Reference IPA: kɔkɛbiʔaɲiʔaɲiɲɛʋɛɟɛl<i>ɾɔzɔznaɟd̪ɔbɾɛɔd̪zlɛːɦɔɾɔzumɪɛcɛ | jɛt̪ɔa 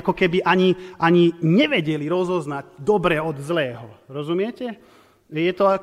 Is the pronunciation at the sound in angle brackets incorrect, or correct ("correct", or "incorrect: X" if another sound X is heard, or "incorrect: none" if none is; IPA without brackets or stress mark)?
correct